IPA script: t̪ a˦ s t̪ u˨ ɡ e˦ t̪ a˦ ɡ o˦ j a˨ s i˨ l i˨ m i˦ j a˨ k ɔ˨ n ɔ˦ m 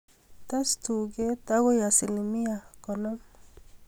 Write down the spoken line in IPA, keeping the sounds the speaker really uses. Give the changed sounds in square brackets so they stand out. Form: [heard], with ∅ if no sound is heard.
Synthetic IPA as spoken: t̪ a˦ s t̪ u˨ ɡ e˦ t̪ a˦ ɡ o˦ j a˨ s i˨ l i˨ m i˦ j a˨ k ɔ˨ n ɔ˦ m